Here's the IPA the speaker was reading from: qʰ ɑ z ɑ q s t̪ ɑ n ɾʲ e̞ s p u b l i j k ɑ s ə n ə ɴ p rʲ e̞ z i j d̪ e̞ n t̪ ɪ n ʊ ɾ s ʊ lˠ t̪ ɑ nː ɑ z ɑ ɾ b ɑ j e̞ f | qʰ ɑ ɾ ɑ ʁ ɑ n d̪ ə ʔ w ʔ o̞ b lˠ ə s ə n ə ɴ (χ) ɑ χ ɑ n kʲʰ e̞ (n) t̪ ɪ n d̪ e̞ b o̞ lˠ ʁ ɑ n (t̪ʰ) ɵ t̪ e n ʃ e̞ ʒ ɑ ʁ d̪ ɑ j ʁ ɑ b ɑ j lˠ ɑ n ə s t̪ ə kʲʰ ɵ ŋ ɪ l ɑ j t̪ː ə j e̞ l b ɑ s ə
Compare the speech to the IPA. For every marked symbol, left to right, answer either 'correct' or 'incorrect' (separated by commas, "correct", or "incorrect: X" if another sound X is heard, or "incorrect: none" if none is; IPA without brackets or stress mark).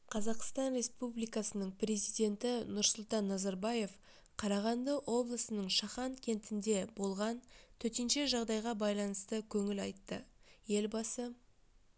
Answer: incorrect: ʃ, correct, correct